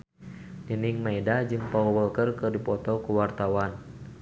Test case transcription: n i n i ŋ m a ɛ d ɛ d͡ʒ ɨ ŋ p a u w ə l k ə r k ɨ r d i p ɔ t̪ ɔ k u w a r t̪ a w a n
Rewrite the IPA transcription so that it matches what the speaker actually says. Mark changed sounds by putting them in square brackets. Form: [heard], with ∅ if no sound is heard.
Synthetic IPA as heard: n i n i ŋ m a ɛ d [a] d͡ʒ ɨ ŋ p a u w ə l k ə r k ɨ r d i p ɔ t̪ ɔ k u w a r t̪ a w a n